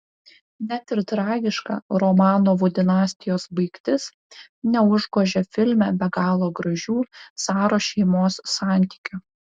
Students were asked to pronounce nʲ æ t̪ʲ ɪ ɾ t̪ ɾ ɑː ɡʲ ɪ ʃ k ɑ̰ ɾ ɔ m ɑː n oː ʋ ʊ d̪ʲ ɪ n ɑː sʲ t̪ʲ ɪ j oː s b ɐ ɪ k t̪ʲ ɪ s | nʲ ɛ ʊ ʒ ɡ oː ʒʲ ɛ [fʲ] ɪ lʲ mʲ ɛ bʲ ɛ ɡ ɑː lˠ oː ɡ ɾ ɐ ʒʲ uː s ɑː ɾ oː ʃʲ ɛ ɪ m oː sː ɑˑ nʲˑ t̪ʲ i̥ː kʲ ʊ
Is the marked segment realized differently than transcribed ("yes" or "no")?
no